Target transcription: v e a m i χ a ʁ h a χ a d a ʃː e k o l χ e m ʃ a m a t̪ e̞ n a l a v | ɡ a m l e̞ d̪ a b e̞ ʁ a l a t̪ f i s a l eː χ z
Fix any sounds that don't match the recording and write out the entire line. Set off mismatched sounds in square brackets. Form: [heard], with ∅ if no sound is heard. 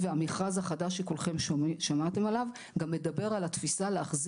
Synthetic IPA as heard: v e a m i χ a [z] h a χ a d a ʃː e k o l χ e m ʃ a m a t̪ e̞ [m] a l a v | ɡ a m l e̞ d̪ a b e̞ ʁ a l a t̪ f i s a l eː χ z